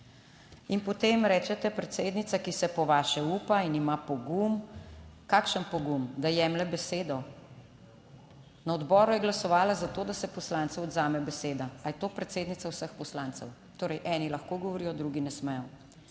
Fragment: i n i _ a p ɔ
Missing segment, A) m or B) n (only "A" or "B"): A